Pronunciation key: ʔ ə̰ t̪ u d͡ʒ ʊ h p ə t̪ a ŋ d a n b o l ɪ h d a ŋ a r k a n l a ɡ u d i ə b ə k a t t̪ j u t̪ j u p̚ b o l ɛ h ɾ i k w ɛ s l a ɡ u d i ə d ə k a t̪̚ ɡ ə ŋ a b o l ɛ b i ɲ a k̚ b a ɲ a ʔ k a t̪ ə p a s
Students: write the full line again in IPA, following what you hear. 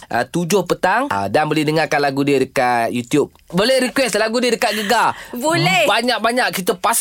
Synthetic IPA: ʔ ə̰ t̪ u d͡ʒ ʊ h p ə t̪ a ŋ d a n b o l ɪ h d ə ŋ a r k a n l a ɡ u d i ə d ə k a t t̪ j u t̪ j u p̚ b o l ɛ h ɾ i k w ɛ s l a ɡ u d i ə d ə k a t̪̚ ɡ ə ɡ a b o l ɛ b a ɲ a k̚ b a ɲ a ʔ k i t̪ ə p a s